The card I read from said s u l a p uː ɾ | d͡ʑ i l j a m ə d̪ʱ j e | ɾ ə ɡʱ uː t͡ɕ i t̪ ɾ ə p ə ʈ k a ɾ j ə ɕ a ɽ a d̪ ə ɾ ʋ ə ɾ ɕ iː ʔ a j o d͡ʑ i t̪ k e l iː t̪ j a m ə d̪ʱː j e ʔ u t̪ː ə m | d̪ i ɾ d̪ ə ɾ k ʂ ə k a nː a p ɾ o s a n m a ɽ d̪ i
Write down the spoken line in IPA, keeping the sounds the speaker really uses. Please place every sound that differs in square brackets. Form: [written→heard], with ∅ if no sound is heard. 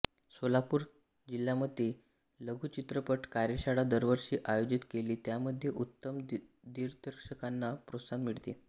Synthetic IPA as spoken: s [u→o] l a p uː ɾ | d͡ʑ i l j a m ə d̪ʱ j e | [ɾ→l] ə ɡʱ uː t͡ɕ i t̪ ɾ ə p ə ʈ k a ɾ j ə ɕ a ɽ a d̪ ə ɾ ʋ ə ɾ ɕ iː ʔ a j o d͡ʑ i t̪ k e l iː t̪ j a m ə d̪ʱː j e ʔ u t̪ː ə m | d̪ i ɾ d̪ ə ɾ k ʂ ə k a nː a p ɾ o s a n m [a→i] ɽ [d̪→t̪] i